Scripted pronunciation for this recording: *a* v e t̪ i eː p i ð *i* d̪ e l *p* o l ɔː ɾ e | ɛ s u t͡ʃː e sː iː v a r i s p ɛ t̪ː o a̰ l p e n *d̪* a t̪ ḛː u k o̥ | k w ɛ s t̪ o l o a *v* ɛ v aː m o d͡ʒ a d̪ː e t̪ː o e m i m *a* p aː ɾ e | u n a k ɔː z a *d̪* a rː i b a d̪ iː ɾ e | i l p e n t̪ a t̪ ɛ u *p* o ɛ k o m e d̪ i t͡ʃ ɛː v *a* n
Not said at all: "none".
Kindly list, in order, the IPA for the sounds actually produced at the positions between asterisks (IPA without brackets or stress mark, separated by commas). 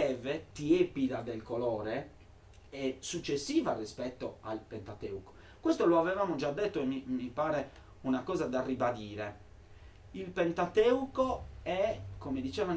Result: ɛ, a, k, t̪, v, i, d̪, k, a